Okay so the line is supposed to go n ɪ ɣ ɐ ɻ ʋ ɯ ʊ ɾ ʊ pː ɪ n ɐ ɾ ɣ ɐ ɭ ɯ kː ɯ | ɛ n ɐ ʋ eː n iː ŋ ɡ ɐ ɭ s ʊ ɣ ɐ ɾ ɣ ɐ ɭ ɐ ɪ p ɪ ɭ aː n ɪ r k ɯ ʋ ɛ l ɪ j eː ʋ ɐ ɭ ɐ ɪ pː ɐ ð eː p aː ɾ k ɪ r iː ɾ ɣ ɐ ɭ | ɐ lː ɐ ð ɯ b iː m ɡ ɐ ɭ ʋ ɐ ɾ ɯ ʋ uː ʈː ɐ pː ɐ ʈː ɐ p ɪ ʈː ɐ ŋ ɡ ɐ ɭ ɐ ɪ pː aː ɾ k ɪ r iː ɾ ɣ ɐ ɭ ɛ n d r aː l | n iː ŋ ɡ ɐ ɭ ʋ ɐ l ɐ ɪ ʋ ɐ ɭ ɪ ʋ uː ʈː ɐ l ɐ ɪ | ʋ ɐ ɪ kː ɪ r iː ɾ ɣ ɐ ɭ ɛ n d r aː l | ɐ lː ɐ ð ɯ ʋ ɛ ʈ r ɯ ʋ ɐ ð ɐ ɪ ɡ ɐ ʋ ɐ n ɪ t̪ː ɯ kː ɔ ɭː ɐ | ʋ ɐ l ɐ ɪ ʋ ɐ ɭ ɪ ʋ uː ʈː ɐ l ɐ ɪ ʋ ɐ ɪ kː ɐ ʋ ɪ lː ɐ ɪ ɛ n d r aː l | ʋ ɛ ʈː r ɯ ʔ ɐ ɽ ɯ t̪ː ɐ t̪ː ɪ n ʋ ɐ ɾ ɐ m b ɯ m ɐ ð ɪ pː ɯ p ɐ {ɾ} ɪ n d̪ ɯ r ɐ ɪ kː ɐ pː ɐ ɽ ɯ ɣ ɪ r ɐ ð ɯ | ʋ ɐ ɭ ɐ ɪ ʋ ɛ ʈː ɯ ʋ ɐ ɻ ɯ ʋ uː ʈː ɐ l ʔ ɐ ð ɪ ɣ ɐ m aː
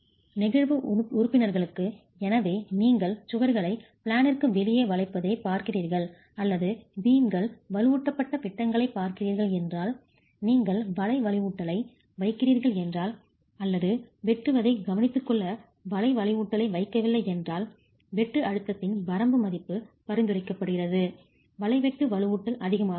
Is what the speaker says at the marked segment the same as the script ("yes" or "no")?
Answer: yes